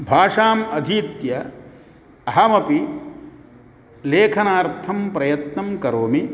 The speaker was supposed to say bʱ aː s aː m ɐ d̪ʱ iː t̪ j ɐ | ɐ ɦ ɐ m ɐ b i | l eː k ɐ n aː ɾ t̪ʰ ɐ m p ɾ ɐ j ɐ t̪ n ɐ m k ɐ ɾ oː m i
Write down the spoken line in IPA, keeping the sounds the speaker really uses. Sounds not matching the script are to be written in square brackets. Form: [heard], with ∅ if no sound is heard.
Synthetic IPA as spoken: bʱ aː [ʂ] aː m ɐ d̪ʱ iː t̪ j ɐ | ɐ ɦ ɐ m ɐ [p] i | l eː [kʰ] ɐ n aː ɾ t̪ʰ ɐ m p ɾ ɐ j ɐ t̪ n ɐ m k ɐ ɾ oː m i